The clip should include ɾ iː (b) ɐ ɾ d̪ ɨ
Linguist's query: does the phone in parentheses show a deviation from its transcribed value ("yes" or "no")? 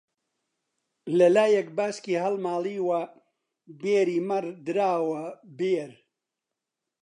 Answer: yes